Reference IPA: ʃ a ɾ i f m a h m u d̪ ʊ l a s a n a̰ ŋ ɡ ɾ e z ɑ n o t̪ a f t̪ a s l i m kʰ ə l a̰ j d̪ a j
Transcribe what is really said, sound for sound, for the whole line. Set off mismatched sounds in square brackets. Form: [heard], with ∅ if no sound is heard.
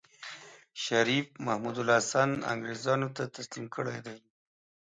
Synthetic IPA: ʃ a ɾ i f m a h m u d̪ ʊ l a s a n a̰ ŋ ɡ ɾ e z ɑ n o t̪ a [∅] t̪ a s l i m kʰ ə [ɽ] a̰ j d̪ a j